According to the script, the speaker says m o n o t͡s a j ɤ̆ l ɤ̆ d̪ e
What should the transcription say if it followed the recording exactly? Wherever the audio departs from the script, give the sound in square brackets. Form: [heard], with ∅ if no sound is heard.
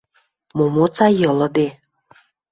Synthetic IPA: m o [m] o t͡s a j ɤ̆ l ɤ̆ d̪ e